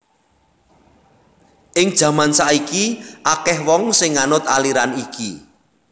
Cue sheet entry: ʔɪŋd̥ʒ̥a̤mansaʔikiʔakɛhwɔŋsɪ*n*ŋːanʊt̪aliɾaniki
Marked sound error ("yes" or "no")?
yes